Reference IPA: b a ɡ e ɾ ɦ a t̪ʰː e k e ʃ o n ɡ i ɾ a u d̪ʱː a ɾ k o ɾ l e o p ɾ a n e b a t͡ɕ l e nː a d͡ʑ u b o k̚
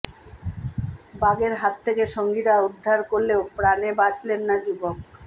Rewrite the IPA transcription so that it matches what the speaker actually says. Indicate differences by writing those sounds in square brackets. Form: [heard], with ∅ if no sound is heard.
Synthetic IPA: b a ɡ e ɾ ɦ a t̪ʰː e k e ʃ o [ŋ] ɡ i ɾ a u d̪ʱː a ɾ k o ɾ l e o p ɾ a n e b a t͡ɕ l e nː a d͡ʑ u b o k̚